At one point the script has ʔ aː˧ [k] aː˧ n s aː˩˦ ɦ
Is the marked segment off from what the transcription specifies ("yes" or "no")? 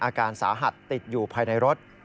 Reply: no